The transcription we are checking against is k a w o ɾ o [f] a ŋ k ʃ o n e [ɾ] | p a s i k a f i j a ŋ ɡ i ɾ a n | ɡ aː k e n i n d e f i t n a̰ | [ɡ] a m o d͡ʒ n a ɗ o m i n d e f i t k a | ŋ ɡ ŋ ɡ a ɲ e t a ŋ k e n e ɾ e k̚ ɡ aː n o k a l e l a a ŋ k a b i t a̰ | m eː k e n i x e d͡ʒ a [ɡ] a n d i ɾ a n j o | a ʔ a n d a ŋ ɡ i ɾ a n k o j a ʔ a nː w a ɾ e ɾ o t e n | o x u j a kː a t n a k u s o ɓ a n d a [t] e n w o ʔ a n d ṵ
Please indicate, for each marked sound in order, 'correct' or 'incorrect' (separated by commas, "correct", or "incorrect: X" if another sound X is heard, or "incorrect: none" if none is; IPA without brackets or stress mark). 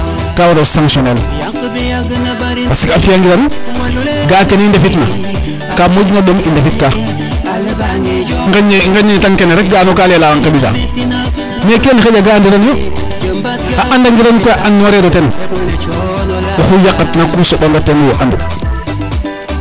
incorrect: s, incorrect: l, incorrect: k, correct, correct